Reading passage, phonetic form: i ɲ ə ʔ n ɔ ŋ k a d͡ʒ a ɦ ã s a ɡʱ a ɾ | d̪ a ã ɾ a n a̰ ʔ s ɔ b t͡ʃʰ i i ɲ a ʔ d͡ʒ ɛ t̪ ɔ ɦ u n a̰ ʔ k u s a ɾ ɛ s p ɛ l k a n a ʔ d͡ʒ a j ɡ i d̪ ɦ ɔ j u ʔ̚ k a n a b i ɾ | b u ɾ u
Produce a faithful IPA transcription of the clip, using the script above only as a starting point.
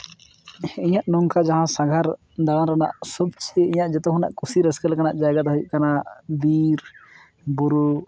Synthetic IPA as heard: i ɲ a ʔ n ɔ ŋ k a d͡ʒ a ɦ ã s a ɡʱ a ɾ | d̪ a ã ɾ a n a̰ ʔ s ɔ b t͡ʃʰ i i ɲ a ʔ d͡ʒ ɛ t̪ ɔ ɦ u n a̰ ʔ k u s i ɾ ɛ s k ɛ l k a n a ʔ d͡ʒ a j ɡ a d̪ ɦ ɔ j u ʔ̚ k a n a b i ɾ | b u ɾ u